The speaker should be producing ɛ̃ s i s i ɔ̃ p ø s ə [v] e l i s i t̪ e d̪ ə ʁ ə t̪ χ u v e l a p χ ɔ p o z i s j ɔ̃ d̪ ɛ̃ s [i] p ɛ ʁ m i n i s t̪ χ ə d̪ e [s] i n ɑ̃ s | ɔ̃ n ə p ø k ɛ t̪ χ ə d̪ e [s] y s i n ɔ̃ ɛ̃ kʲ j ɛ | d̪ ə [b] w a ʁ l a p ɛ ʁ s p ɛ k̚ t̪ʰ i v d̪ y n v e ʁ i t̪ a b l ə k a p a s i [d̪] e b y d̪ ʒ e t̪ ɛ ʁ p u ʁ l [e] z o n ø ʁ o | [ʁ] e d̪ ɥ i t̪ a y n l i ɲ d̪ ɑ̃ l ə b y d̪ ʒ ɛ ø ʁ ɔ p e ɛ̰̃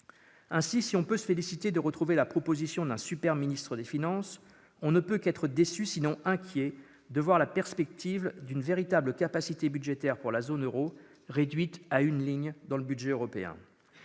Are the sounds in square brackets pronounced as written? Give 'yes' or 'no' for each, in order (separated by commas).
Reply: no, no, no, yes, no, no, no, yes